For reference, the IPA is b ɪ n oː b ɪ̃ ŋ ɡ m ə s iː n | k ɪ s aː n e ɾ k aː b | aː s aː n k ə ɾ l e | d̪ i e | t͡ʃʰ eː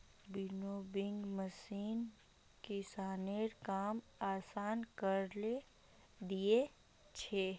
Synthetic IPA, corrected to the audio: b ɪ n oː b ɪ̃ ŋ ɡ m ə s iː n | k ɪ s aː n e ɾ k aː m | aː s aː n k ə ɾ l e | d̪ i e | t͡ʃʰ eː